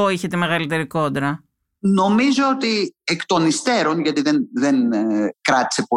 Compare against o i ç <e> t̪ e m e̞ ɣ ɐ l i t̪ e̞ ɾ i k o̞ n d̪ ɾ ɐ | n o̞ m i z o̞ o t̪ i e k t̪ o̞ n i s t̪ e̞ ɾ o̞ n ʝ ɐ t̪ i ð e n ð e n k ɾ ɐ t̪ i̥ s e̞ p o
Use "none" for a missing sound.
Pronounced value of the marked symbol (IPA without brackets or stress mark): e